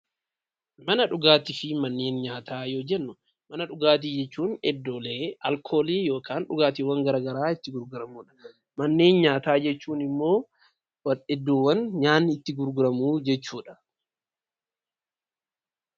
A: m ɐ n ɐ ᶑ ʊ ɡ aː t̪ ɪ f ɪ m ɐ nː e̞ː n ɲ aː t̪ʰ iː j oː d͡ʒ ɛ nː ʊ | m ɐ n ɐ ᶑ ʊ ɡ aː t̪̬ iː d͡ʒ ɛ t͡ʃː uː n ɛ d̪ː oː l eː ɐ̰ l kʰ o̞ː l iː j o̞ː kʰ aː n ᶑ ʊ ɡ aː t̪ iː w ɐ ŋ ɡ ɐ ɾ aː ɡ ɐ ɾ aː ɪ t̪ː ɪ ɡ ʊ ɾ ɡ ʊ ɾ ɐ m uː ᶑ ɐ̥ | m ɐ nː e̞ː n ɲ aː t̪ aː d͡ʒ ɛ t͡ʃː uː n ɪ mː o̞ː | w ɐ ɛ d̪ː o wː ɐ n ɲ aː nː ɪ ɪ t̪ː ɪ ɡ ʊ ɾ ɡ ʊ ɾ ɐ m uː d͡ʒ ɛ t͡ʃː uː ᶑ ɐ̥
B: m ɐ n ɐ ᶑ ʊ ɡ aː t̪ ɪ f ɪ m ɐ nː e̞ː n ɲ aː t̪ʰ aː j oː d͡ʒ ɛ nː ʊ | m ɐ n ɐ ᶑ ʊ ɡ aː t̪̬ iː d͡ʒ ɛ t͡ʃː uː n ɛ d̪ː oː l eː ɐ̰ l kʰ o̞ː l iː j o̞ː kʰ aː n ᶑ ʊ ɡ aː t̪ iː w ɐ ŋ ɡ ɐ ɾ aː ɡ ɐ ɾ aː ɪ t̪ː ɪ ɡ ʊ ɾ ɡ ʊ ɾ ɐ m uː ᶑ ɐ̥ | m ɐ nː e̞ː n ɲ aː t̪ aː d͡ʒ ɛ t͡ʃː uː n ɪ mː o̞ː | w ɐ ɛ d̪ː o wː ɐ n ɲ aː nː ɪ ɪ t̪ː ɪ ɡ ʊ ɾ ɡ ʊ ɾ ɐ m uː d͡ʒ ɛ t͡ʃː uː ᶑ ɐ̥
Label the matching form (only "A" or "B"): B